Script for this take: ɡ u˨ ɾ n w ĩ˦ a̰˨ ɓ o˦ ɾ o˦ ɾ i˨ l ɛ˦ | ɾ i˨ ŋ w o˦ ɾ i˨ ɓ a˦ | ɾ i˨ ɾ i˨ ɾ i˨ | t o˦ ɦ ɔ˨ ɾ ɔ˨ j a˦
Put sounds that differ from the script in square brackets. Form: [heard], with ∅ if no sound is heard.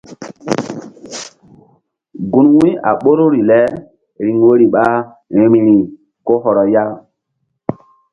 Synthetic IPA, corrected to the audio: ɡ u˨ [∅] n w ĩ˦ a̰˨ ɓ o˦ ɾ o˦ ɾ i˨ l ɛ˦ | ɾ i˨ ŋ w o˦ ɾ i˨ ɓ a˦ | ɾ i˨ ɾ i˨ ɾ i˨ | [k] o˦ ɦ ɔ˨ ɾ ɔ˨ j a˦